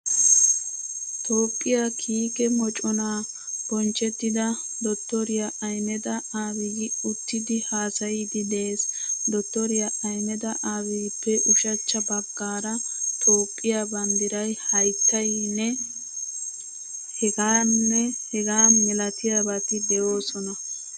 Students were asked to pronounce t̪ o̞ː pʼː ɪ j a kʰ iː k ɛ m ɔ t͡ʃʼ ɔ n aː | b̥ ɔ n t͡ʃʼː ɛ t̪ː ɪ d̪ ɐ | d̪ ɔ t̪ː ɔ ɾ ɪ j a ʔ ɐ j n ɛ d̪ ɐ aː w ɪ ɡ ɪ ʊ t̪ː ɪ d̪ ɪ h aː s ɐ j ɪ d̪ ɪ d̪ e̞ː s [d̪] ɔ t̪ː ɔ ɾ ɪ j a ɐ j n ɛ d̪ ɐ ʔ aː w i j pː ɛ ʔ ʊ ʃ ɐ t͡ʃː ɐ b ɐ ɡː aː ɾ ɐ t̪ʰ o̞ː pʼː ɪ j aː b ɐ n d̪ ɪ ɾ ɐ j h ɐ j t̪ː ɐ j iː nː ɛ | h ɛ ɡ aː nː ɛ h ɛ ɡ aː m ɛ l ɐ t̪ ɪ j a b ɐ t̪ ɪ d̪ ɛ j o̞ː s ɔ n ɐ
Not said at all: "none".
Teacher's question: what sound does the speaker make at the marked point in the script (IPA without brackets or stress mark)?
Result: d̪